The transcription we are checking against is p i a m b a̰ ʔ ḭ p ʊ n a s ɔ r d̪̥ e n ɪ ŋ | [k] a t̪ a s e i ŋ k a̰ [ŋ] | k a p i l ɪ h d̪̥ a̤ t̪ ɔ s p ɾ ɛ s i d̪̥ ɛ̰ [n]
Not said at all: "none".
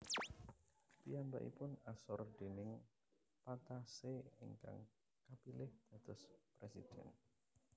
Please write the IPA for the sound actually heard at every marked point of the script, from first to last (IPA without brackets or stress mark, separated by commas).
p, ŋ, n